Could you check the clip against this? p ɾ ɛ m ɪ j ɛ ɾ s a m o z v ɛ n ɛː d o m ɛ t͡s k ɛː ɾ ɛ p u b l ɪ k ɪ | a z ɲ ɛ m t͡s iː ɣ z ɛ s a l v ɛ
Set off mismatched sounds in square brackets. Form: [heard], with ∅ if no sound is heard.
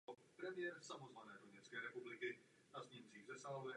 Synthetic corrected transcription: p ɾ ɛ m ɪ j ɛ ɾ s a m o z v [a] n ɛː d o [ɲ] ɛ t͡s k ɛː ɾ ɛ p u b l ɪ k ɪ | a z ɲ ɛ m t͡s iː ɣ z ɛ s a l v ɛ